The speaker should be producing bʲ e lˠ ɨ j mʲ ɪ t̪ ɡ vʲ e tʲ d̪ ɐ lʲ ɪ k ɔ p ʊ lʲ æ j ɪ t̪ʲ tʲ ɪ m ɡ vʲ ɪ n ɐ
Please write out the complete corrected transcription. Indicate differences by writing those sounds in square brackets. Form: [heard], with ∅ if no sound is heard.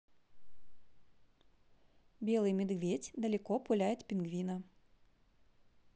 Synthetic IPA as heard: bʲ e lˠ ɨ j mʲ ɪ [d̪] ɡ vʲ e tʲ d̪ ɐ lʲ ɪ k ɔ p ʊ lʲ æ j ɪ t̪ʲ [pʲ] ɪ [n] ɡ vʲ [i] n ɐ